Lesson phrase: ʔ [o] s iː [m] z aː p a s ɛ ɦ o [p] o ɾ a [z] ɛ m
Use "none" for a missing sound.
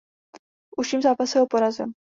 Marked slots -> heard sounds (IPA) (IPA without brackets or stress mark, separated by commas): u, m, p, z